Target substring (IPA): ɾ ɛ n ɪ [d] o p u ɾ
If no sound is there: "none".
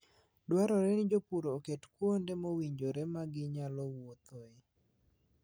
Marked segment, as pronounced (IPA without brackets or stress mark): d͡ʒ